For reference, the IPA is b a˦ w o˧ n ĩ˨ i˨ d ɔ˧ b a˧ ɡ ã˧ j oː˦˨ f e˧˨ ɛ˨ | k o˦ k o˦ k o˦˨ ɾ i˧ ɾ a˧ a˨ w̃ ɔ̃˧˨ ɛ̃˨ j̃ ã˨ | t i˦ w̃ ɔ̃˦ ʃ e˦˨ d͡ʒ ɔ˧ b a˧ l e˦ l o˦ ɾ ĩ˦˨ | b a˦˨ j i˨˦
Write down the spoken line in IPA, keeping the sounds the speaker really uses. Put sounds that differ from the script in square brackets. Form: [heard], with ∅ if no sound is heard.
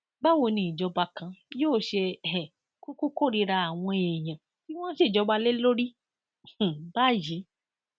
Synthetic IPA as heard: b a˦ w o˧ n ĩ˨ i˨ [d͡ʒ] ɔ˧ b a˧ [k] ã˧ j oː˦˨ [ʃ] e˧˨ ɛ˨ | k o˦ k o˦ k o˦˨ ɾ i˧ ɾ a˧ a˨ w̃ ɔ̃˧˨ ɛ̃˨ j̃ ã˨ | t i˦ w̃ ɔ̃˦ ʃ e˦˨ d͡ʒ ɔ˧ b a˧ l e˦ l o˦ ɾ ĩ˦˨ | b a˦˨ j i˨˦